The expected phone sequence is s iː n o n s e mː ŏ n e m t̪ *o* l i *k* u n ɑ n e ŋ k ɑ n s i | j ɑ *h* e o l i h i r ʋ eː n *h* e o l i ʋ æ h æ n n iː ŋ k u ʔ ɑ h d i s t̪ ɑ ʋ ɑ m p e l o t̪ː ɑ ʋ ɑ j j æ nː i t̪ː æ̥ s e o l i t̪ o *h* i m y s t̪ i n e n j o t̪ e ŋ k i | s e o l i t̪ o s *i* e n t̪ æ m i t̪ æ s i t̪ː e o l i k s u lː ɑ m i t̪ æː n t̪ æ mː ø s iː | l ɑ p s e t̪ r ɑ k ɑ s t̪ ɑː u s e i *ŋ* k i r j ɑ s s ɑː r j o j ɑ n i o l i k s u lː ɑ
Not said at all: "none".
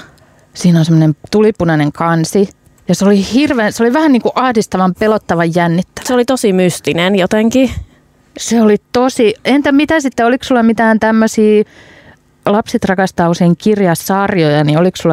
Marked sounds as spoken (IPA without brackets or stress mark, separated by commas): u, p, s, s, s, i, ŋ